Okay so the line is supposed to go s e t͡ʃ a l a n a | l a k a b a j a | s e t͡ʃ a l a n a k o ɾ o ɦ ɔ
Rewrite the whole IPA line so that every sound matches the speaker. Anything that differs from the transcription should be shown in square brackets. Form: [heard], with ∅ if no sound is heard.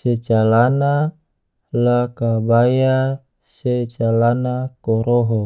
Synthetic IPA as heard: s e t͡ʃ a l a n a | l a k a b a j a | s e t͡ʃ a l a n a k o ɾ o ɦ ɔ

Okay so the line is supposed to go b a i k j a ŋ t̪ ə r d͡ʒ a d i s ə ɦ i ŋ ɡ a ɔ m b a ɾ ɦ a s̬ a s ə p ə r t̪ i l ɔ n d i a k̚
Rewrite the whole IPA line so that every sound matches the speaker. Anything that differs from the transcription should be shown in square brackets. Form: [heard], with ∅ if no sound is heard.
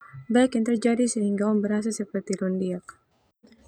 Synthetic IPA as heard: b a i k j a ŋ t̪ ə r d͡ʒ a d i s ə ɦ i ŋ ɡ a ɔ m b [ə] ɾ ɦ a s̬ a s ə p ə r t̪ i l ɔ n d i a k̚

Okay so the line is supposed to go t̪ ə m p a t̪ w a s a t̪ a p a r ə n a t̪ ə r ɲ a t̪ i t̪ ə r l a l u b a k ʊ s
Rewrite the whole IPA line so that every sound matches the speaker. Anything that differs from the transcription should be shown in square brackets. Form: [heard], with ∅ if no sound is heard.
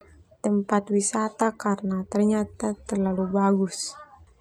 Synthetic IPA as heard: t̪ ə m p a t̪ w [i] s a t̪ a [k] a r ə n a t̪ ə r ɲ a t̪ [a] t̪ ə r l a l u b a [ɡ] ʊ s

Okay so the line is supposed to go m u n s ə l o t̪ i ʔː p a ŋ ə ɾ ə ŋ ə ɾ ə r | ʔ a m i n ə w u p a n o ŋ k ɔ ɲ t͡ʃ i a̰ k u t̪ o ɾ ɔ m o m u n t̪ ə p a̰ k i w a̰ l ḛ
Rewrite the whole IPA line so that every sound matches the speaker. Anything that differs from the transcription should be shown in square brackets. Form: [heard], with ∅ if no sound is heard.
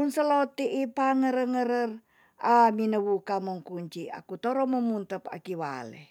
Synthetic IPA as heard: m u n s ə l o t̪ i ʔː p a ŋ ə ɾ ə ŋ ə ɾ ə r | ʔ a m i n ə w u [k] a [m] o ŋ k [u] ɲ t͡ʃ i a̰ k u t̪ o ɾ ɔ m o m u n t̪ ə p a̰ k i w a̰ l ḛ

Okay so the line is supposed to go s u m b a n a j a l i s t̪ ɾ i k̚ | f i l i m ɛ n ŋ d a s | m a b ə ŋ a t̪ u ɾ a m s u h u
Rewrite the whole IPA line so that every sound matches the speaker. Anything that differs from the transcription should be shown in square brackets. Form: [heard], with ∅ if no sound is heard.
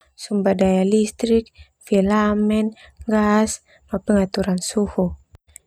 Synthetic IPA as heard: s u m b a [d] a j a l i s t̪ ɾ i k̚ | f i l [a] m ɛ n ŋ [ɡ] a s | m a [p] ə ŋ a t̪ u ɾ a [n] s u h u

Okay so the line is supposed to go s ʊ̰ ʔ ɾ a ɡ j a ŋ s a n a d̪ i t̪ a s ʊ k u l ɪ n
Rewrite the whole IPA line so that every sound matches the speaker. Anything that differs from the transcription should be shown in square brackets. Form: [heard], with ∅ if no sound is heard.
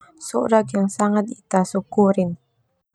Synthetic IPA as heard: s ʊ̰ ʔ ɾ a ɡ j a ŋ s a [ŋ] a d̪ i t̪ a s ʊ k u [ɾ] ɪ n

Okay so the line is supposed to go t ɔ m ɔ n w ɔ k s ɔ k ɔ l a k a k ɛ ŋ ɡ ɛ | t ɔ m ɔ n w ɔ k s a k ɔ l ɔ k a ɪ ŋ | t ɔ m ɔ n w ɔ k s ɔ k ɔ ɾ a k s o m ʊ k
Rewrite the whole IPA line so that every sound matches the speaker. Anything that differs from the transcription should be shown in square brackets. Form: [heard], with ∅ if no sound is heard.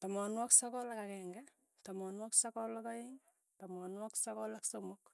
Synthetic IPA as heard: t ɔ m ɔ n w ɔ k s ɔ k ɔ l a k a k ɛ ŋ ɡ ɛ | t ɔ m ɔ n w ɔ k s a k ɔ l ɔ k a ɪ ŋ | t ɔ m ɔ n w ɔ k s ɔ k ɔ [l] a k s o m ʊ k

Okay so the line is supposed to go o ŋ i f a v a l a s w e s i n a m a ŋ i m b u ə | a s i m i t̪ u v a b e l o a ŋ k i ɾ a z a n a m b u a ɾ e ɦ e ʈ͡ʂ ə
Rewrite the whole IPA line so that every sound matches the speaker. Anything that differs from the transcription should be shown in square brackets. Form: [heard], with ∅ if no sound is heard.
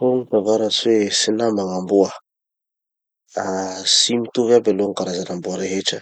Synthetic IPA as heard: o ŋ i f a v a [ɾ] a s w e s i n a m a ŋ [a] m b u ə | a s i m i t̪ u v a b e l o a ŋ k [a] ɾ a z a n a m b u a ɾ e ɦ e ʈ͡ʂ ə

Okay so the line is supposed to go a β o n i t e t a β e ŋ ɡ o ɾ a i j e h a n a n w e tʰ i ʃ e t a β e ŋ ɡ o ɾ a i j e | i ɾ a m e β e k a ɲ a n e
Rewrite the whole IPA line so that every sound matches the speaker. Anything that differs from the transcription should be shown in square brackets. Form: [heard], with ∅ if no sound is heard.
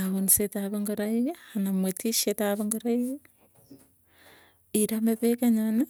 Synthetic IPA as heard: a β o n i [s] e t a β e ŋ ɡ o ɾ a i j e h a n a [m] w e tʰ i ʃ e t a β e ŋ ɡ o ɾ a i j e | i ɾ a m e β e k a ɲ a n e

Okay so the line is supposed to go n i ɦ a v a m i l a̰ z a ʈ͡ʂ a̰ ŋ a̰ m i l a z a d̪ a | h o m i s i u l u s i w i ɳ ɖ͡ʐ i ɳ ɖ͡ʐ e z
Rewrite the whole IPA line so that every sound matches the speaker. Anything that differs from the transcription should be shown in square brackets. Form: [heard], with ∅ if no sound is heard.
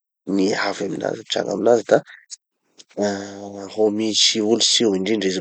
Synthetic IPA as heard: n i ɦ a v a m i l a̰ z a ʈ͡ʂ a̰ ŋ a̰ m i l a z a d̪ a | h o m i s i u l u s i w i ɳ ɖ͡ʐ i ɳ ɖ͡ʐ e z

